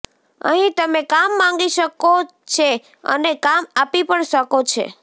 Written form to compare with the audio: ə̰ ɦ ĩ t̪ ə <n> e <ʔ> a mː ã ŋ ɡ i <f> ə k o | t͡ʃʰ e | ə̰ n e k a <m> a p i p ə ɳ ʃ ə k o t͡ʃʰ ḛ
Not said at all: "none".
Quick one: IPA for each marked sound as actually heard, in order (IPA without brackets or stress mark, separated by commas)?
m, k, ʃ, m